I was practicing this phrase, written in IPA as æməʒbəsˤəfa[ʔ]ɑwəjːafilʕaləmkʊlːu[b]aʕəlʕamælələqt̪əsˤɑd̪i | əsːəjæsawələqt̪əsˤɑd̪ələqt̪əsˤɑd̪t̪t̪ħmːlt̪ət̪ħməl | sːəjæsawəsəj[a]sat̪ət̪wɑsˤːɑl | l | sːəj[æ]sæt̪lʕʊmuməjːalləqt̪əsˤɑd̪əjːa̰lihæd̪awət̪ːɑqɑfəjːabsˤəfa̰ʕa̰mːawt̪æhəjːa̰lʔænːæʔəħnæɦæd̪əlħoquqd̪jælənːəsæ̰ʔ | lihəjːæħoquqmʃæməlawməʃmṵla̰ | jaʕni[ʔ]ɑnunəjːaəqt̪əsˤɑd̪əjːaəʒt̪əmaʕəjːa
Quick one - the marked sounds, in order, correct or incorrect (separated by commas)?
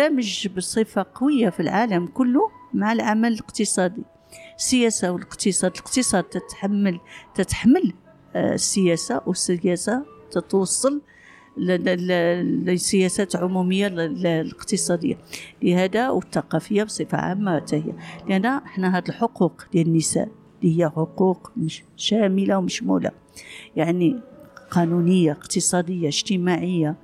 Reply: incorrect, incorrect, incorrect, correct, incorrect